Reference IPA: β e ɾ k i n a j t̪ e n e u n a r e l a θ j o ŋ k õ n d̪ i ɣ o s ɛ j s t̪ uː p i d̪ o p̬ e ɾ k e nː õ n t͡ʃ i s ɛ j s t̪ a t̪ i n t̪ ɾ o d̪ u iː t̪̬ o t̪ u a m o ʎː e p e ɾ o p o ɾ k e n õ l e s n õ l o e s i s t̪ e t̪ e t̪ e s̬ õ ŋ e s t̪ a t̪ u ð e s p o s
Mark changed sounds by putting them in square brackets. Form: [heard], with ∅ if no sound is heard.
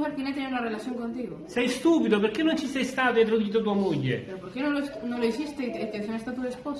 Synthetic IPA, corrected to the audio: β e ɾ k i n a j t̪ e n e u n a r e l a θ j o ŋ k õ n [t̪] i ɣ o s ɛ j s t̪ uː p i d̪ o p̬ e ɾ k e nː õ n t͡ʃ i s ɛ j s t̪ a t̪ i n t̪ ɾ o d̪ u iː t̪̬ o t̪ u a m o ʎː e p e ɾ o p o ɾ k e n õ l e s n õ l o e s i s t̪ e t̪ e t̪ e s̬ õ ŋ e s t̪ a t̪ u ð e s p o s